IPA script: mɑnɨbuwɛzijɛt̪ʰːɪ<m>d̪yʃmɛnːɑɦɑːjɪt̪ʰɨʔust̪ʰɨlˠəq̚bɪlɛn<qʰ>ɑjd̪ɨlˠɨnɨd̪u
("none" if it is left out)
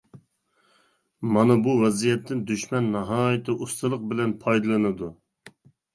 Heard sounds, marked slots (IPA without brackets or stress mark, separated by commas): n, pʰ